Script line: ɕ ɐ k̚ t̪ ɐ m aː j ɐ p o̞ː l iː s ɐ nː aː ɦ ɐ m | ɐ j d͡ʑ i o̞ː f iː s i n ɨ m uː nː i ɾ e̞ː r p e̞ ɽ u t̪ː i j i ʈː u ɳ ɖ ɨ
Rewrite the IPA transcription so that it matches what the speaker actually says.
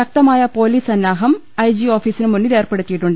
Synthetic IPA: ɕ ɐ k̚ t̪ ɐ m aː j ɐ p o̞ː l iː s ɐ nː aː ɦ ɐ m | ɐ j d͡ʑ i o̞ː f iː s i n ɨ m u nː i ɾ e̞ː r p e̞ ɽ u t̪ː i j i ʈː u ɳ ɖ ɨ